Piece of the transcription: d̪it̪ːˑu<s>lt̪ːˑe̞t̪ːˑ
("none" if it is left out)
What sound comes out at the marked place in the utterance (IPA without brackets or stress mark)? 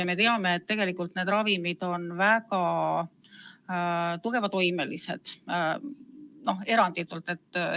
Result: none